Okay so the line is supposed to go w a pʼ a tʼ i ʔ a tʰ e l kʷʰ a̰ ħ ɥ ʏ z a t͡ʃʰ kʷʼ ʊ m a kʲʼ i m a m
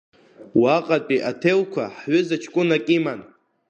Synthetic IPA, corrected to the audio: w a qʼ a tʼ i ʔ a tʰ e l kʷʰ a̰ ħ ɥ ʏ z a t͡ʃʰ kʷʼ ʊ n a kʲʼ i m a n